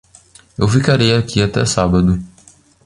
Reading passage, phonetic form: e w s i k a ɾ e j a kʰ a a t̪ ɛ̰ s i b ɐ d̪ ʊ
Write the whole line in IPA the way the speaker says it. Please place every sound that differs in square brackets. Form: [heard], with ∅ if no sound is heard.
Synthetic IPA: e w [f] i k a ɾ e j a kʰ [i] a t̪ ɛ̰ s [a] b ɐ d̪ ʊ